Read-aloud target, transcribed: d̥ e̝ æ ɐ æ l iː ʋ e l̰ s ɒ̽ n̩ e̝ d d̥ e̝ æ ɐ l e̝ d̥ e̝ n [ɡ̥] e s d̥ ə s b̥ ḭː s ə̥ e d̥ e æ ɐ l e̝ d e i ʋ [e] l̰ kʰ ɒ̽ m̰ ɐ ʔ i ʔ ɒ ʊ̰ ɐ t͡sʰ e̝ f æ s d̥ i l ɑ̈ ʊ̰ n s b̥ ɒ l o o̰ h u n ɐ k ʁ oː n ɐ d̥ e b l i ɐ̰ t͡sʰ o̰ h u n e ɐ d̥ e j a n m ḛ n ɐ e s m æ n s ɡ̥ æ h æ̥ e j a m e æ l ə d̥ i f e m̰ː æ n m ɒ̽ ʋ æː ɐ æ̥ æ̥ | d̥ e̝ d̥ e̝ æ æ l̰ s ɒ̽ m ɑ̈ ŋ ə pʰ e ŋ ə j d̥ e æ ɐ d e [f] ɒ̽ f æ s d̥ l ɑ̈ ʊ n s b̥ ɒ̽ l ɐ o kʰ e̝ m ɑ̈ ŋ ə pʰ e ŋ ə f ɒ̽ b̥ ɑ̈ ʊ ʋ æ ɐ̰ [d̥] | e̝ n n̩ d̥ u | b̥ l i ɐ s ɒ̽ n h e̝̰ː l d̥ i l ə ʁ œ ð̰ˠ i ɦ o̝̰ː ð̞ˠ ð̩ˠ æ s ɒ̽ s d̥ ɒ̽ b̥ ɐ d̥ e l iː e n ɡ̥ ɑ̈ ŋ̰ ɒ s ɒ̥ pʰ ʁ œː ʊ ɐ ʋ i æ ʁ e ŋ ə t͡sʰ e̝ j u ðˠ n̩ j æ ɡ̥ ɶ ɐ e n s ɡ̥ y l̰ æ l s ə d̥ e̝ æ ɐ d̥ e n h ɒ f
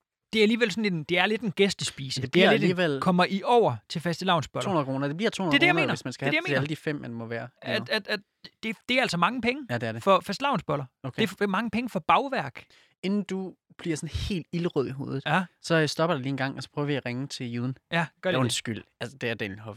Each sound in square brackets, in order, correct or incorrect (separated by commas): correct, correct, correct, incorrect